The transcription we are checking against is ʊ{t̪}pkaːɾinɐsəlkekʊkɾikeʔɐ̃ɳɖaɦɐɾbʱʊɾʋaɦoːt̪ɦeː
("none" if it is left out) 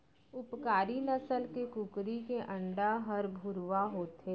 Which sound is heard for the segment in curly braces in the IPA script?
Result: none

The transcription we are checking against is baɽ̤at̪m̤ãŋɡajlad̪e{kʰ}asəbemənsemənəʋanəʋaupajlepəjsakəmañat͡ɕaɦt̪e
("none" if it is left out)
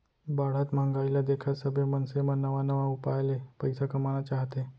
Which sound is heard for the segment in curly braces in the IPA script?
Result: kʰ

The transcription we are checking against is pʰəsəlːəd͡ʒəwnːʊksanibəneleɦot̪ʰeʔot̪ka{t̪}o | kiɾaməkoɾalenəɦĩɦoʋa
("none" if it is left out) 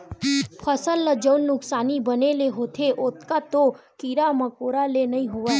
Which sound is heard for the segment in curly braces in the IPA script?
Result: t̪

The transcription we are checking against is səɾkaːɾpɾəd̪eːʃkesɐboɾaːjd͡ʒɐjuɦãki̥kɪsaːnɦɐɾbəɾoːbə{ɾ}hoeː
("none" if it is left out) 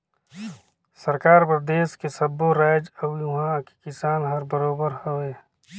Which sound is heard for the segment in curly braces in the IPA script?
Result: ɾ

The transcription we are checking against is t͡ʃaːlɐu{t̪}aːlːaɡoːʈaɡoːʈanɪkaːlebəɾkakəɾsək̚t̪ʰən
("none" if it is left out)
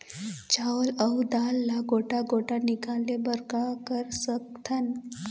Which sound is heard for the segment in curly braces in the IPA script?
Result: d̪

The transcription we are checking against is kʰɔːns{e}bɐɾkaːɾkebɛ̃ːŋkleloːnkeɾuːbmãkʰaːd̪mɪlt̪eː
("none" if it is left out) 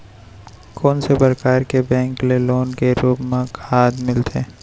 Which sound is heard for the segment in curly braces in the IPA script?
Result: e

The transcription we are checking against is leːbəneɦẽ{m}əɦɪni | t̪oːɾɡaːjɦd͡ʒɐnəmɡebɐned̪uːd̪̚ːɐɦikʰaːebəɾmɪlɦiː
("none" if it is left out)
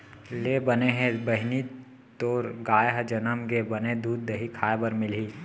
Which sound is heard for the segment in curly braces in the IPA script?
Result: b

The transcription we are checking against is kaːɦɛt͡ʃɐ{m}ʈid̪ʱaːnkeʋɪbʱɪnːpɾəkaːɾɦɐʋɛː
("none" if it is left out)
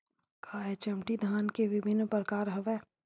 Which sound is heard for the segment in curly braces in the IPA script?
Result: m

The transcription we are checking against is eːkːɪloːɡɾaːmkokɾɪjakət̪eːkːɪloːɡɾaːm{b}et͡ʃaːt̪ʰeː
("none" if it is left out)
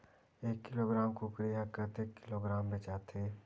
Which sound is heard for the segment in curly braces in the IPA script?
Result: b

